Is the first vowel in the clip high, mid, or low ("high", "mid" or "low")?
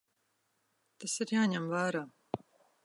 low